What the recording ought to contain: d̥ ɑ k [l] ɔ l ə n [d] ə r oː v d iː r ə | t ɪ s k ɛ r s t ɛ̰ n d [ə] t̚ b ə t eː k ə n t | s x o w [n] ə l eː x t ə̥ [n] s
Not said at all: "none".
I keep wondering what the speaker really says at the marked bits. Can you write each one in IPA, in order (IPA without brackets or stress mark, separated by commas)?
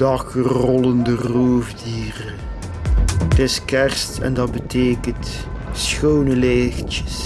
r, d, ɑ, n, none